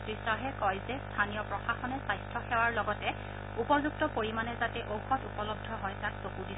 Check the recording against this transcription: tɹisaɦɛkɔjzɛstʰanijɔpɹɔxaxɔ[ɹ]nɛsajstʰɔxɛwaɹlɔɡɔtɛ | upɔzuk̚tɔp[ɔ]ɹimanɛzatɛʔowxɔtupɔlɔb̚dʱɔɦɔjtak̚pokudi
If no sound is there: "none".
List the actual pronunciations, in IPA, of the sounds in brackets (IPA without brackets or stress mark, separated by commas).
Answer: none, o